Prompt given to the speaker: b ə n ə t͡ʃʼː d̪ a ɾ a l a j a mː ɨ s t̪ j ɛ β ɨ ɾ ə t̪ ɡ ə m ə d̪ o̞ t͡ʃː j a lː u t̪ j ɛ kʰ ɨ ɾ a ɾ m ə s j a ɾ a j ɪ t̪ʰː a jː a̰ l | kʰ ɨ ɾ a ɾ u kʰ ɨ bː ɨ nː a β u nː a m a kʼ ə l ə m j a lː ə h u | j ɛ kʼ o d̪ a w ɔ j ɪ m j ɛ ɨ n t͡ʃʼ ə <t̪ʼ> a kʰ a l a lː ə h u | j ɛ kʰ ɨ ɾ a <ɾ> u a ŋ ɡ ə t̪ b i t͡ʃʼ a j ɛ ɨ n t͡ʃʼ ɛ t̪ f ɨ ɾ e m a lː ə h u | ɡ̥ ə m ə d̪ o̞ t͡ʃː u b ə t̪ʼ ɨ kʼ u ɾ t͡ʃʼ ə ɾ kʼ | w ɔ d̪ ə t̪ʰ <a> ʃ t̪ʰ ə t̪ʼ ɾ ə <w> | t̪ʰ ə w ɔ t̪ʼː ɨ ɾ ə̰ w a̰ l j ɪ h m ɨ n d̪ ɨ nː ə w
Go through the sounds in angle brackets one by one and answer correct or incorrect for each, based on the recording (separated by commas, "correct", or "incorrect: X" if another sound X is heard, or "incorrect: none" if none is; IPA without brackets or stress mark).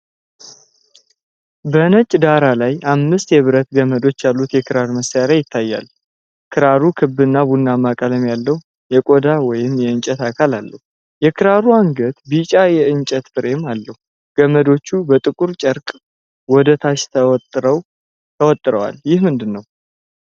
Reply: incorrect: t̪, correct, correct, correct